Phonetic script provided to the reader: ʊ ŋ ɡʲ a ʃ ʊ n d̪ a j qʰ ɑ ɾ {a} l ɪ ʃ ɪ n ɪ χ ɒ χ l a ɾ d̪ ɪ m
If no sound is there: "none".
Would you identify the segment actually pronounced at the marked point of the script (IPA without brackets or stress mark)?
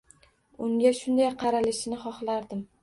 a